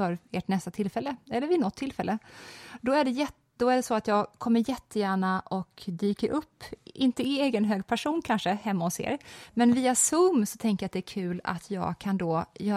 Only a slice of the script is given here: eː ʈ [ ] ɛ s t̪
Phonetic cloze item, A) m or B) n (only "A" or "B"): B